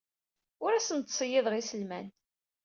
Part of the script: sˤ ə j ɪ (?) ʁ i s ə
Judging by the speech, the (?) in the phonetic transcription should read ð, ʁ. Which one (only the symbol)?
ð